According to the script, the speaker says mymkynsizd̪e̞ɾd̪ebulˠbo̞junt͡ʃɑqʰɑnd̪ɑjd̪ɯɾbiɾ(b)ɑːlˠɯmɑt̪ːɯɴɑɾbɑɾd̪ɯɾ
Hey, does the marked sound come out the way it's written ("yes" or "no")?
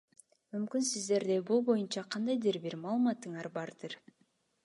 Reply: no